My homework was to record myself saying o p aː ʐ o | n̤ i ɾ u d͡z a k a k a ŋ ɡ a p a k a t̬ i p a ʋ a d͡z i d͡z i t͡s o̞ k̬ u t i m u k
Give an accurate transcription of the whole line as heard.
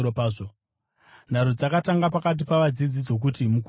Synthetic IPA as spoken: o p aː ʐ o | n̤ a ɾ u d͡z a k a t a ŋ ɡ a p a k a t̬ i p a ʋ a d͡z i d͡z i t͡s o̞ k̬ u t i m u k